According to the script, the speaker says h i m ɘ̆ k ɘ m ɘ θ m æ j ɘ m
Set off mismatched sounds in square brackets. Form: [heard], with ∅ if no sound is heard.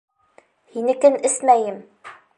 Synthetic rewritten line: h i [n] ɘ̆ k ɘ [n] ɘ [s] m æ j ɘ m